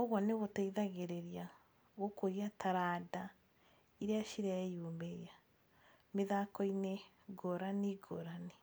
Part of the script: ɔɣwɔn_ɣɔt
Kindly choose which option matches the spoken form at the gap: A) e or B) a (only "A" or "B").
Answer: A